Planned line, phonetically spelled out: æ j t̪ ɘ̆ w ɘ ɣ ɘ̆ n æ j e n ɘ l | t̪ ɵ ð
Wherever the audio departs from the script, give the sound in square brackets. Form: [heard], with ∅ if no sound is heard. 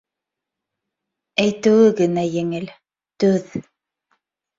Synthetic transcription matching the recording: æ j t̪ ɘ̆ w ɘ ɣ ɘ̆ n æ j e [ŋ] ɘ l | t̪ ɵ ð